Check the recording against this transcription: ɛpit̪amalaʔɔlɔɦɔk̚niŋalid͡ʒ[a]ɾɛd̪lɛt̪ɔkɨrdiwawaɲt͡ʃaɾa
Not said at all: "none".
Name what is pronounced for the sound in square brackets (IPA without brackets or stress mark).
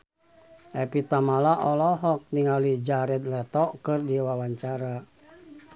a